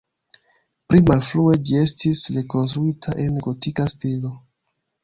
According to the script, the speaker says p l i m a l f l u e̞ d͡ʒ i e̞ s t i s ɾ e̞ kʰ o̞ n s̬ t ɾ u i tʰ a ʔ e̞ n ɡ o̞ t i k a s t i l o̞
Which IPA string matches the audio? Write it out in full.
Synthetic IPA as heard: p ɾ i m a l f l u e̞ d͡ʒ i e̞ s t i s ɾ e̞ k o̞ n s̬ t ɾ u i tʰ a ʔ e̞ n ɡ o̞ t i k a s t i l o̞